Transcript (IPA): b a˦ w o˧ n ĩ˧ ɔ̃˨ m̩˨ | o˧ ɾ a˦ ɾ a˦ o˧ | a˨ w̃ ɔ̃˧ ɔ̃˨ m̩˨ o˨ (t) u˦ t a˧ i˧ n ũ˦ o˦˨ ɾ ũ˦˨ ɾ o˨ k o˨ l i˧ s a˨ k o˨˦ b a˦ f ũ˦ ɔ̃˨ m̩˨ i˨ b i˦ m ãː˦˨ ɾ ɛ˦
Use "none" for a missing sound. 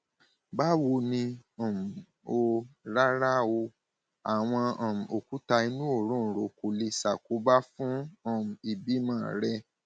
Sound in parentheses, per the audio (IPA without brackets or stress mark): k